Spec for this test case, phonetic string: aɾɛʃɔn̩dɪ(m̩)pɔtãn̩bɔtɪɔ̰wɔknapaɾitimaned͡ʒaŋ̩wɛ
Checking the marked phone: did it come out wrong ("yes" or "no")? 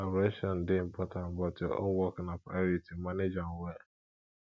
no